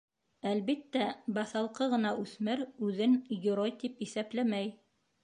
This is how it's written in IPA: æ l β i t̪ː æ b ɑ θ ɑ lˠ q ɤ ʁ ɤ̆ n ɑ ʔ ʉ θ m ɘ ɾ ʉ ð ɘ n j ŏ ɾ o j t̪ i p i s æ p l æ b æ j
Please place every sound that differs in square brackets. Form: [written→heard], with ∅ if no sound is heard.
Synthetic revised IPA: æ l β i t̪ː æ b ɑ θ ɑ lˠ q ɤ ʁ ɤ̆ n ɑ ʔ ʉ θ m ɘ ɾ ʉ ð ɘ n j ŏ ɾ o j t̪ i p i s æ p l æ [b→m] æ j